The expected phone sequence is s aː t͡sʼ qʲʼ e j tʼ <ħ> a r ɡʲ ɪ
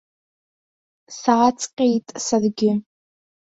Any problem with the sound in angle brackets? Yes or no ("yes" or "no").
yes